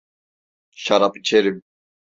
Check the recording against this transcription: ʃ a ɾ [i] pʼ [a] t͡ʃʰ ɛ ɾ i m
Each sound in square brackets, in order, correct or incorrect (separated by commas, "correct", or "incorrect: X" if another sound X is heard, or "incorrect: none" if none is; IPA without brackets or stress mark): incorrect: a, incorrect: i